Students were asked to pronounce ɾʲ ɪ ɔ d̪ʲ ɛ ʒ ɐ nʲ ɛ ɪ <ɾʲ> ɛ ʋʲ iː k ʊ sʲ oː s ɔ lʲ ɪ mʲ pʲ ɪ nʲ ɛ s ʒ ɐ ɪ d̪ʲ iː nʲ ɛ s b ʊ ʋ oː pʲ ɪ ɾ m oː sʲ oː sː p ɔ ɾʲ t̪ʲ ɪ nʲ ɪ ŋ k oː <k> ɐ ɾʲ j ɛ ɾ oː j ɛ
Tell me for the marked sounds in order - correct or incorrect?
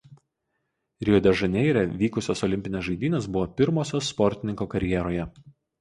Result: correct, correct

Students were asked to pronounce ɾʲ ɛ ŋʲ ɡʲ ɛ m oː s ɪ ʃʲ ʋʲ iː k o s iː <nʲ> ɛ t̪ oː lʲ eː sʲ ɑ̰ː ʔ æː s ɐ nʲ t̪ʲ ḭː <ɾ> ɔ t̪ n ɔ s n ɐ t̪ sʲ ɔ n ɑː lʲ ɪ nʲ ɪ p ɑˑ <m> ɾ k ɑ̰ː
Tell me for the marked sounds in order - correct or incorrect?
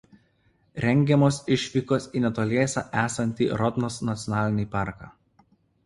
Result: correct, correct, incorrect

